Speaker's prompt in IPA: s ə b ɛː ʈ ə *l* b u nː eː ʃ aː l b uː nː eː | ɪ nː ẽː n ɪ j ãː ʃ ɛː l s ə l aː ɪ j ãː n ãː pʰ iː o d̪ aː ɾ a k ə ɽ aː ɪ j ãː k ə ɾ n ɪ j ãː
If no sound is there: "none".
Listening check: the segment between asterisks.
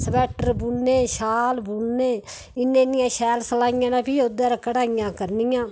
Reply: ɾ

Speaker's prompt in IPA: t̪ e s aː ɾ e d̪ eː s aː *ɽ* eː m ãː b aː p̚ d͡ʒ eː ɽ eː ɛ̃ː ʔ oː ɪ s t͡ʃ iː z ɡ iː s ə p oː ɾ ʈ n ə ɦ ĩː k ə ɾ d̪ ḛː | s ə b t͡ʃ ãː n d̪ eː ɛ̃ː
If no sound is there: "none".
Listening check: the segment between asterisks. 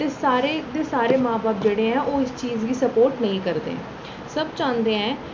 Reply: ɾ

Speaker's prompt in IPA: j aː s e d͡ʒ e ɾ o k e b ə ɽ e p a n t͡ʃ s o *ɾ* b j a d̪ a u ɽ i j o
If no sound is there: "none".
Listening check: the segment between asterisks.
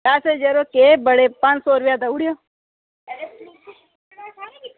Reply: ɾ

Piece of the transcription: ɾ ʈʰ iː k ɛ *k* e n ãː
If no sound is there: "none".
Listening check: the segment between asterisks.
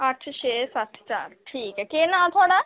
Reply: k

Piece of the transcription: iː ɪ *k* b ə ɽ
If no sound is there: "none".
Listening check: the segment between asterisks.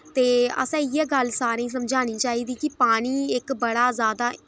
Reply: k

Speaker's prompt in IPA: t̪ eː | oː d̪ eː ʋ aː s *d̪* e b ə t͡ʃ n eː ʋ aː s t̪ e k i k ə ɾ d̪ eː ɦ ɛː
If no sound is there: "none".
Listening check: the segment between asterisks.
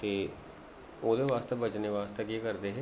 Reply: t̪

